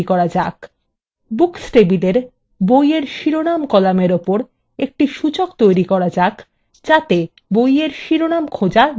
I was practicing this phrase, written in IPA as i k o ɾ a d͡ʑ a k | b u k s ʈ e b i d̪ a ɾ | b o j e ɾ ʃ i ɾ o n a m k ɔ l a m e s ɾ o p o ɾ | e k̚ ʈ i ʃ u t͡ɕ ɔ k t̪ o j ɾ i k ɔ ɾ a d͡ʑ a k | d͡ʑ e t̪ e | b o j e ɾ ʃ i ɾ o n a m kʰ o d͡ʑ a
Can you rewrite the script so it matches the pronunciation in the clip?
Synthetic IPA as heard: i k ɔ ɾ a d͡ʑ a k | b u k s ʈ e b i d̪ e ɾ | b o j e ɾ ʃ i ɾ o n a m k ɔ l a m e ɾ o p o ɾ | e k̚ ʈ i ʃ u t͡ɕ o k t̪ o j ɾ i k ɔ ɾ a d͡ʑ a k | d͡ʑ a t̪ e | b o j e ɾ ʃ i ɾ o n a m kʰ o d͡ʑ a